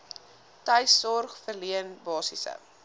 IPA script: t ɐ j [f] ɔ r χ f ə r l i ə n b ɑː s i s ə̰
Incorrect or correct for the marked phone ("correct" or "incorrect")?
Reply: incorrect